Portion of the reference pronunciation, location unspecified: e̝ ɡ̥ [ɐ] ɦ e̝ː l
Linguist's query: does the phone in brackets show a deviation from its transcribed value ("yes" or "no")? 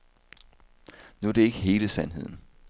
yes